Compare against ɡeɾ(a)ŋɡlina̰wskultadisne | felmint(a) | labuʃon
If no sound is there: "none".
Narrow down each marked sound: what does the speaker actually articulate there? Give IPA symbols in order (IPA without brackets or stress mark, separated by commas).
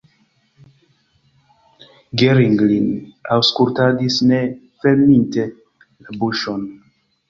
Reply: i, e